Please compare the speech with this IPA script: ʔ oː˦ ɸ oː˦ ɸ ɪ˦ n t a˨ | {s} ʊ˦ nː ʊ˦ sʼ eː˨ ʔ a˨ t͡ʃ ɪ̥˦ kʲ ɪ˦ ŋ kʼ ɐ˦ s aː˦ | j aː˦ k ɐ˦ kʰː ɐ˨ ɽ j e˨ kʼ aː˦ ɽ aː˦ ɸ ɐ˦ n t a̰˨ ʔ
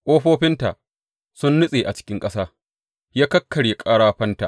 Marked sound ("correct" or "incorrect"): correct